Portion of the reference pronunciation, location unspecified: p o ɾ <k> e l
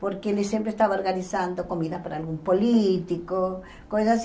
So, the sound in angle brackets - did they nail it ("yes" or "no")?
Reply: yes